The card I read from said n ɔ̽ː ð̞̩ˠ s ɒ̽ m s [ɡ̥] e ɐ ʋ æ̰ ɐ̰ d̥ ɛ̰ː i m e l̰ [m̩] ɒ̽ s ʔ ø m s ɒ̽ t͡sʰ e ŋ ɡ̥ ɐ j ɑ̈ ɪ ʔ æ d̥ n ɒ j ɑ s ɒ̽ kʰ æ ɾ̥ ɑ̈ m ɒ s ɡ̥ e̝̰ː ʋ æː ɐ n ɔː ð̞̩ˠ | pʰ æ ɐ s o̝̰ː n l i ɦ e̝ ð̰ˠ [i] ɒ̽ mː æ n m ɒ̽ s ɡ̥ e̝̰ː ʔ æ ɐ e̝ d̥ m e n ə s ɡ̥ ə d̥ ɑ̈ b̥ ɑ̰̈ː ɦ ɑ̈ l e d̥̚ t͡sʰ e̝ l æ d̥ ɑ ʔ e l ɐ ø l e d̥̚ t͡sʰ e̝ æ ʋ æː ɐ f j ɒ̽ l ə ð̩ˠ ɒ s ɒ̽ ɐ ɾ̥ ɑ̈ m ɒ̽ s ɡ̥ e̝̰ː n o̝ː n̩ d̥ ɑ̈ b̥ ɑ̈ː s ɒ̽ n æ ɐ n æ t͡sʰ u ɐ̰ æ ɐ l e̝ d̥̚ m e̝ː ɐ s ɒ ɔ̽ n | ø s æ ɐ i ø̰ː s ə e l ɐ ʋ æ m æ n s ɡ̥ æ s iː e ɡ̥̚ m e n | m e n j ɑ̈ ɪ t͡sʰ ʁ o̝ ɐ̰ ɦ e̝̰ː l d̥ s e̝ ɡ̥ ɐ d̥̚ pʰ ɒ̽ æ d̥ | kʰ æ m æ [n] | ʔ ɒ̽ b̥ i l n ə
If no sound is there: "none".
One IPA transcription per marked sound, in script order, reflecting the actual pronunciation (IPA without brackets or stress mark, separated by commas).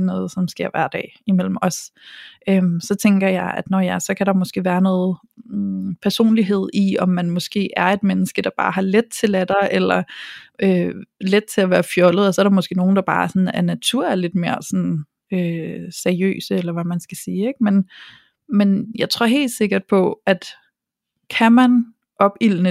ɡ̥, m̩, i, n